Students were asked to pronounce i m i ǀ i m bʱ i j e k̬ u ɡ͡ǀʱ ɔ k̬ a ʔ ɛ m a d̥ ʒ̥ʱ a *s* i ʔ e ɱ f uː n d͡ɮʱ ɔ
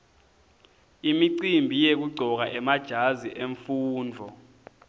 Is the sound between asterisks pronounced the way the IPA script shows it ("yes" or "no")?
no